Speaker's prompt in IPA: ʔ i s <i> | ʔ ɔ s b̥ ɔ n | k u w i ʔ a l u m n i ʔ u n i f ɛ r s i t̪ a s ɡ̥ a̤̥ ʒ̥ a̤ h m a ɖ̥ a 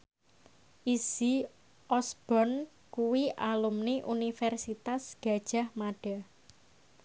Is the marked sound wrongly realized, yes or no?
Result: no